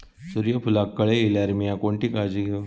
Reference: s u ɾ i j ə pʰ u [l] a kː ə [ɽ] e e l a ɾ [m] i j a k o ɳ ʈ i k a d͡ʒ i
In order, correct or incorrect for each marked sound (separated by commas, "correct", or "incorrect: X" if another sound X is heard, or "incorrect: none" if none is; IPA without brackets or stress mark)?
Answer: correct, incorrect: ɭ, correct